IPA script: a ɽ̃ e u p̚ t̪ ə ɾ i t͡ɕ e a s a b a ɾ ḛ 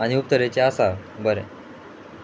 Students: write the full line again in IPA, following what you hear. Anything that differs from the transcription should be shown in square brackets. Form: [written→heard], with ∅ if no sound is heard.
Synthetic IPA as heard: a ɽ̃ [e→i] u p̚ t̪ ə ɾ [i→e] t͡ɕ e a s a b [a→ə] ɾ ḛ

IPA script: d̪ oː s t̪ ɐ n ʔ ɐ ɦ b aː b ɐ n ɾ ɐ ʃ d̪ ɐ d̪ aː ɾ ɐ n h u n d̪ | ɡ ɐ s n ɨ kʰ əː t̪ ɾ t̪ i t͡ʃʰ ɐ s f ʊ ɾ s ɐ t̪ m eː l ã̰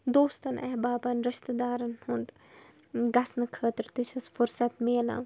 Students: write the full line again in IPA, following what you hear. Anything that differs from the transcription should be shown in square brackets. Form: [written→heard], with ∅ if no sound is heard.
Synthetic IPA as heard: d̪ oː s t̪ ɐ n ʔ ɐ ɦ b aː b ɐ n ɾ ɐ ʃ [d̪→t̪] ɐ d̪ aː ɾ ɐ n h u n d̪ | ɡ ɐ s n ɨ kʰ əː t̪ ɾ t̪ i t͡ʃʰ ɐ s f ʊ ɾ s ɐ t̪ m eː l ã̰

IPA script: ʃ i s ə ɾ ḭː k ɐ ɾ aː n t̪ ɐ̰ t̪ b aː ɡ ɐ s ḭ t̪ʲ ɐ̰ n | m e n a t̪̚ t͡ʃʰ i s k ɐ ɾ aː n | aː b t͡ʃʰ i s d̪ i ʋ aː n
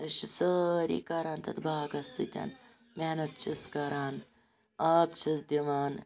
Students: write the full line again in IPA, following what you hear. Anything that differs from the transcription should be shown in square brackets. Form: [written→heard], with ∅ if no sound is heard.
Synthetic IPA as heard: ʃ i s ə ɾ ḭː k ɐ ɾ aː n t̪ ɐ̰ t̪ b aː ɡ ɐ s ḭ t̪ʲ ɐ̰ n | m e n [a→ɐ] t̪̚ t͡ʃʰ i s k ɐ ɾ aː n | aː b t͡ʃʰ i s d̪ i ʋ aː n

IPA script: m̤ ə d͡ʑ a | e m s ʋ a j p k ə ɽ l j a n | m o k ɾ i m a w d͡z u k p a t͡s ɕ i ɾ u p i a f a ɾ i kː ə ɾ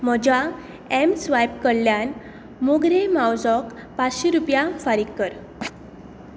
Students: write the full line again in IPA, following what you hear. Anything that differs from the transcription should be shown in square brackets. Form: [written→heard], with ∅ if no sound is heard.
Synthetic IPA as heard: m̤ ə d͡ʑ a | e m s ʋ a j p k ə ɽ l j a n | m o [k→ɡ] ɾ [i→e] m a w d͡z [u→ɔ] k p a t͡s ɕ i ɾ u p [i→j] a f a ɾ i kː ə ɾ

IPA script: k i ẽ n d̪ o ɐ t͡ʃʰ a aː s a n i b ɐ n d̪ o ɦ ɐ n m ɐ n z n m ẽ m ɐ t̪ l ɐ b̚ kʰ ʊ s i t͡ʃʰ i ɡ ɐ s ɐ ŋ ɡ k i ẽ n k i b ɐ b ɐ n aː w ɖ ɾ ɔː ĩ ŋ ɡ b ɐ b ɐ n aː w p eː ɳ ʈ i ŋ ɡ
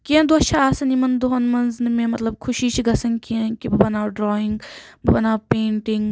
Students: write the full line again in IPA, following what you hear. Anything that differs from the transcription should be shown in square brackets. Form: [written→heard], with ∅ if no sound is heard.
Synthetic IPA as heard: k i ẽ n d̪ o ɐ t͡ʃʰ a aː s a n i [b→m] ɐ n d̪ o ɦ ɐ n m ɐ n z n m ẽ m ɐ t̪ l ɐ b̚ kʰ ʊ [s→ʃ] i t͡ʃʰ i ɡ ɐ s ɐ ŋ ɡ k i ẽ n k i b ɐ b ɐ n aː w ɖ ɾ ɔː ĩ ŋ ɡ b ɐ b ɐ n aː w p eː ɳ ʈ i ŋ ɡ

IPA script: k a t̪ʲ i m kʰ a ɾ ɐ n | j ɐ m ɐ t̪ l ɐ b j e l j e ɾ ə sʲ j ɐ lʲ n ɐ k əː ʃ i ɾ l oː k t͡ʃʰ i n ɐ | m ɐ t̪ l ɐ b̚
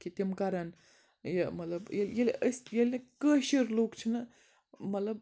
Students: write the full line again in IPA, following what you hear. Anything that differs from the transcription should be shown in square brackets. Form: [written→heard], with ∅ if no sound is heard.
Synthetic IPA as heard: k [a→i] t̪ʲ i m [kʰ→k] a ɾ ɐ n | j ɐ m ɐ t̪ l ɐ b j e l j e [ɾ→l] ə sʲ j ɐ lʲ n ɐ k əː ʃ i ɾ l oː k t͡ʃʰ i n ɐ | m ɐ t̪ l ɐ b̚

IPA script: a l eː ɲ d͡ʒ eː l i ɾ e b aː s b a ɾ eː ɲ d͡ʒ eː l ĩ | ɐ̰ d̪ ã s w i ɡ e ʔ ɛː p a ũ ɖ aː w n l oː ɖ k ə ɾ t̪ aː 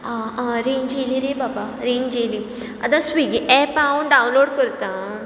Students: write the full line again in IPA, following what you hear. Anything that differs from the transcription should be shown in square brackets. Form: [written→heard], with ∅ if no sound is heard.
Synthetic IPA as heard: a [l→ɾ] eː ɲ d͡ʒ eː l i ɾ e b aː [s→∅] b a ɾ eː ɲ d͡ʒ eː l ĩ | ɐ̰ d̪ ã s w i ɡ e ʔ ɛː p a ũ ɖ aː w n l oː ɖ k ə ɾ t̪ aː

